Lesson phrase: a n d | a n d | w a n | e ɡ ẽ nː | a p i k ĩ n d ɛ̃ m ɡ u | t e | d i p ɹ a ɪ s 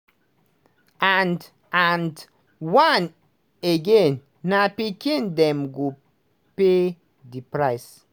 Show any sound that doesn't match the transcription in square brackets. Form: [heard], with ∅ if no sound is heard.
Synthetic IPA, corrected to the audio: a n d | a n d | w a n | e ɡ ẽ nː | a p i k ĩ n d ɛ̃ m ɡ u | [p] e | d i p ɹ a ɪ s